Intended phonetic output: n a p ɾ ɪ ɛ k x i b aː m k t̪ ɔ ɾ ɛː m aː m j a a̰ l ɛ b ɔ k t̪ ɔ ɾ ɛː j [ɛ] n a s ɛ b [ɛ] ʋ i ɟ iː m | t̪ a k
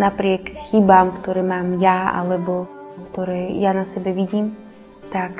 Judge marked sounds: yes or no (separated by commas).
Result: no, yes